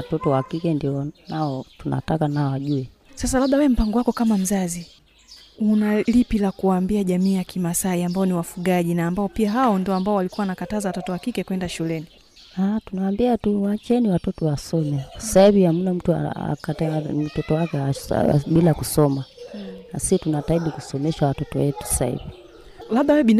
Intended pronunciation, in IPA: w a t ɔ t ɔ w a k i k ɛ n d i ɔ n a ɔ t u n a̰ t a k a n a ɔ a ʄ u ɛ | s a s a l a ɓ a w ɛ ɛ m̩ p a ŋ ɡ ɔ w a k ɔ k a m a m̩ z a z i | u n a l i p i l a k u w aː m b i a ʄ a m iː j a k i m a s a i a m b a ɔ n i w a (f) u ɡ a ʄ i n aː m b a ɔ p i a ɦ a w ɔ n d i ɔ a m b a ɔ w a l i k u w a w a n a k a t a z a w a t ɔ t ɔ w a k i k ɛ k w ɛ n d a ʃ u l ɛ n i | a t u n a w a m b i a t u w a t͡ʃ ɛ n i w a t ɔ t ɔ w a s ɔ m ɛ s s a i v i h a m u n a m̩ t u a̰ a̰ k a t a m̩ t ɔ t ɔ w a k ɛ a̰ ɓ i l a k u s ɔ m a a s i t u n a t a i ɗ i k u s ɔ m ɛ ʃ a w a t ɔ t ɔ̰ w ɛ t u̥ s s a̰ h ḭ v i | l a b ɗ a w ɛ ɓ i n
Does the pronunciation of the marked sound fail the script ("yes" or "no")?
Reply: no